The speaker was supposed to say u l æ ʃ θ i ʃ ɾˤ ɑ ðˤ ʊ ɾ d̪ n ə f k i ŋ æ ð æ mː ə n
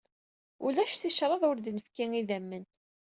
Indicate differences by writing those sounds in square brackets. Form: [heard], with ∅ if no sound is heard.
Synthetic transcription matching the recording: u l æ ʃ θ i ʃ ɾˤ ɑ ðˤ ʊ ɾ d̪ n ə f k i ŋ [i] ð æ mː ə n